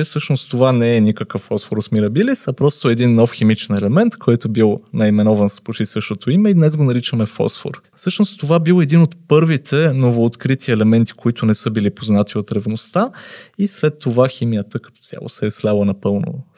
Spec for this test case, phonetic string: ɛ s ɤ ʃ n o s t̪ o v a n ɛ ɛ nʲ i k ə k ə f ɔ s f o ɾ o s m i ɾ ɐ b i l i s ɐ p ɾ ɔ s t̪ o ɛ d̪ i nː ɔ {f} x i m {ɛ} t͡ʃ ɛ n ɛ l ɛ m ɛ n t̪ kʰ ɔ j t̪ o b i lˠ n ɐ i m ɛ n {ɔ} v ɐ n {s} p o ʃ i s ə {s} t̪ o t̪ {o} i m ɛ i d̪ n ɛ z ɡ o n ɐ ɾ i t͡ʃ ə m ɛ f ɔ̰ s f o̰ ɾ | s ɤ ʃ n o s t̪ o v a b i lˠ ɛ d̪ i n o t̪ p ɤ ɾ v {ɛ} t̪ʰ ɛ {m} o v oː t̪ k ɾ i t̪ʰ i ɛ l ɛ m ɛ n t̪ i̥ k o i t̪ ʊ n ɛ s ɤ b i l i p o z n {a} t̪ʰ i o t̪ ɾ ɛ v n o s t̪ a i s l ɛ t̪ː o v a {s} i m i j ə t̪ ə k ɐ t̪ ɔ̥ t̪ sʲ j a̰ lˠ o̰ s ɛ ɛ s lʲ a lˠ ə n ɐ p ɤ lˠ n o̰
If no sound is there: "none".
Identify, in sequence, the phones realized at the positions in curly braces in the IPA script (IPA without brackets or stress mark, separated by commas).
f, i, ɔ, s, ʃ, o, i, n, a, x